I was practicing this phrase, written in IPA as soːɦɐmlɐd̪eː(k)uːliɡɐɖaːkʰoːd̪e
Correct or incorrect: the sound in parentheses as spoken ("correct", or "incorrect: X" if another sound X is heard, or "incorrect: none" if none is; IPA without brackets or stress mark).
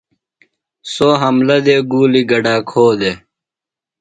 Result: incorrect: ɡ